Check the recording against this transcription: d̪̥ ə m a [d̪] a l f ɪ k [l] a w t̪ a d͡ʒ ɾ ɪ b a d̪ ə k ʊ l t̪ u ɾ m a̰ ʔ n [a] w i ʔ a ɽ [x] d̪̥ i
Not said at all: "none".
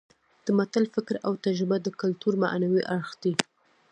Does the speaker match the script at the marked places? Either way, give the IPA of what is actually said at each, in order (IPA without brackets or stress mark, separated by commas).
t̪, ɾ, a, x